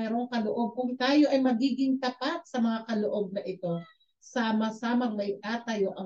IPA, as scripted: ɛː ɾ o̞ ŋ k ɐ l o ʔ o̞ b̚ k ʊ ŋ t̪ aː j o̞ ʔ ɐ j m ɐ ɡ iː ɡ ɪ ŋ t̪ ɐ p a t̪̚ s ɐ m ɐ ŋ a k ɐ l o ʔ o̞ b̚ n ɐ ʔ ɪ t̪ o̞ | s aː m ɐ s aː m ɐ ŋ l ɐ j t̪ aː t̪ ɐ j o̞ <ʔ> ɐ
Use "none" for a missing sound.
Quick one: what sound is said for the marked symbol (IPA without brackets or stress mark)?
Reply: ʔ